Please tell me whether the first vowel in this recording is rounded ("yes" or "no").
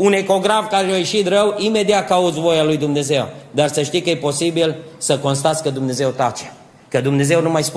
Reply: yes